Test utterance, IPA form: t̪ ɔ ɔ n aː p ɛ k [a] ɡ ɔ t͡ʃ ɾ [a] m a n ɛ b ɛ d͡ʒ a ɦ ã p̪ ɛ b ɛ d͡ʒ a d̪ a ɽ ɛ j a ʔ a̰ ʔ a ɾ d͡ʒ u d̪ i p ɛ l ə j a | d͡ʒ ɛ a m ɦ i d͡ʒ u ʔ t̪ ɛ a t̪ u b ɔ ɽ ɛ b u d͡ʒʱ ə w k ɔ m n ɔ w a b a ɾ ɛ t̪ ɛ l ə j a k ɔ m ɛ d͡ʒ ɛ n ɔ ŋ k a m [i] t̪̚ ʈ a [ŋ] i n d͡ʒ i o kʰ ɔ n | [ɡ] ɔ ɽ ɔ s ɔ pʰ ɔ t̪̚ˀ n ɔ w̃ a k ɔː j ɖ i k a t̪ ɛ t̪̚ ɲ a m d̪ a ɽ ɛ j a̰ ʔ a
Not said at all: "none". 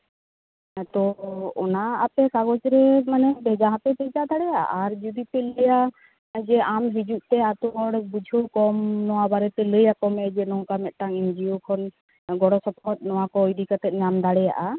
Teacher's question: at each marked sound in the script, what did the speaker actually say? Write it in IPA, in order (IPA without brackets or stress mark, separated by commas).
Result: a, ɛ, ɛ, ŋ, ɡ